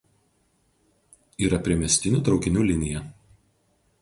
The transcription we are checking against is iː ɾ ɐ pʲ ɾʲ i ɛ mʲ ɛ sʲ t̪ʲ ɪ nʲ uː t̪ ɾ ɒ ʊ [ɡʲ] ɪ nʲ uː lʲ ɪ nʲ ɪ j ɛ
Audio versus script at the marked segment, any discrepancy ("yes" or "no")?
yes